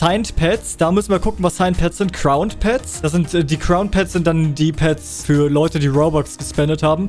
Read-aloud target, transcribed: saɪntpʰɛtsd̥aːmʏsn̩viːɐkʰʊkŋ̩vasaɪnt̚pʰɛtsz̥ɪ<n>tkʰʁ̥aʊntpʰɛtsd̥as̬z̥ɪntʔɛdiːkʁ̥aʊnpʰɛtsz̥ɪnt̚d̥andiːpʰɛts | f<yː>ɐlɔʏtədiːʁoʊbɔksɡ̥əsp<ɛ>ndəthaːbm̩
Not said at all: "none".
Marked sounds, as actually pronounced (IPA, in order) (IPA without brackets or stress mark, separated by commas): n, yː, ɛ